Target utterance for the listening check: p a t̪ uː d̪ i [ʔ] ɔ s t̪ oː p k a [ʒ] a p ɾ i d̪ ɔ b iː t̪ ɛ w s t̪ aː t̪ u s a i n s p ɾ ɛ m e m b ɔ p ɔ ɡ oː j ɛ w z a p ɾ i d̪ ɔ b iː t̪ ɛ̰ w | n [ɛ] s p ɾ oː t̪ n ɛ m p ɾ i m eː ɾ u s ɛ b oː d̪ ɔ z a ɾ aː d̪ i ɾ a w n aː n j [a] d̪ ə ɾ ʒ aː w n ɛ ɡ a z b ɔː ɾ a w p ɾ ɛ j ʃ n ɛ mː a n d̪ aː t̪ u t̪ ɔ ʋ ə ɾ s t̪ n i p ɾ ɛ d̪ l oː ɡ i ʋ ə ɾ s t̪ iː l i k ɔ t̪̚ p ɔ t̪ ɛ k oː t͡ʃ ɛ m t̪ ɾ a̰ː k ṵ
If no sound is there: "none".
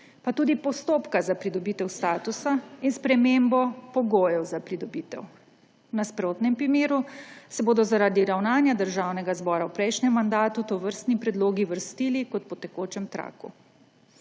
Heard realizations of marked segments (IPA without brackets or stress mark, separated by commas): p, z, a, a